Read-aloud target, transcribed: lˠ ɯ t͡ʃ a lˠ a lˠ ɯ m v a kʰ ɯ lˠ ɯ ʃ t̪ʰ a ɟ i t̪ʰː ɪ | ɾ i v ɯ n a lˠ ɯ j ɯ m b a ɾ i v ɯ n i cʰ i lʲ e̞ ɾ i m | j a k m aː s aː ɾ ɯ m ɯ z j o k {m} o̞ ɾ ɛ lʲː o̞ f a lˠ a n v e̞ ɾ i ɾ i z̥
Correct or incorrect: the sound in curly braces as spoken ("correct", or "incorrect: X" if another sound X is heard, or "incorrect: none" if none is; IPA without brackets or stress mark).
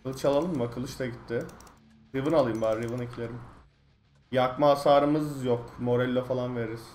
correct